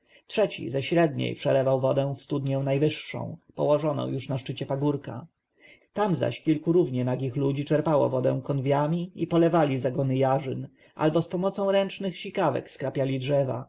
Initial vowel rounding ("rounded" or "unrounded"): unrounded